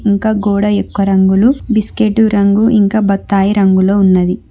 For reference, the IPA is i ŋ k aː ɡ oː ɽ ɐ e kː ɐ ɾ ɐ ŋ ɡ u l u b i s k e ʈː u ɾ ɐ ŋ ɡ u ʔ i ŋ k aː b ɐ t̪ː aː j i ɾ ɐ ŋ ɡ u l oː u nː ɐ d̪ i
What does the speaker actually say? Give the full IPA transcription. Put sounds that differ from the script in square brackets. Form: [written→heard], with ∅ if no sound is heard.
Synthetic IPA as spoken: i ŋ k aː ɡ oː ɽ ɐ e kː ɐ ɾ ɐ ŋ ɡ u l u b i s k e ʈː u ɾ ɐ ŋ ɡ u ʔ i ŋ k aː b ɐ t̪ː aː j i ɾ ɐ ŋ ɡ u l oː u nː ɐ d̪ i